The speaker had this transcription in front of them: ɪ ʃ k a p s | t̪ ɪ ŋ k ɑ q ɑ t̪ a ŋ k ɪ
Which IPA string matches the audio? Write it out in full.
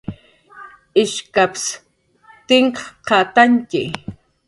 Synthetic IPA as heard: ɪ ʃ k a p s | t̪ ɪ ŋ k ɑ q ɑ t̪ a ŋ k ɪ